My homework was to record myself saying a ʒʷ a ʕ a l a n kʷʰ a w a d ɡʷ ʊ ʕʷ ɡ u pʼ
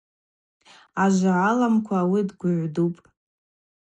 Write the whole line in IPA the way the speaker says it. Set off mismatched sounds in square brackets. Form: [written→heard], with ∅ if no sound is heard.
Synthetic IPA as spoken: a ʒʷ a ʕ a l a [n→m] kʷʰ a w [a→i] d ɡʷ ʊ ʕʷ [ɡ→d] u pʼ